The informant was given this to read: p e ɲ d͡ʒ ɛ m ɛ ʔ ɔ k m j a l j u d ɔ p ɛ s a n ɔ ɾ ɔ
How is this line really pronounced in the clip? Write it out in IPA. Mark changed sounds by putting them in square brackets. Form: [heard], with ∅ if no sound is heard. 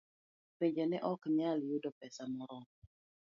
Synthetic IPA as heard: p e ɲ d͡ʒ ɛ [n] ɛ ʔ ɔ k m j a l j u d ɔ p ɛ s a [m] ɔ ɾ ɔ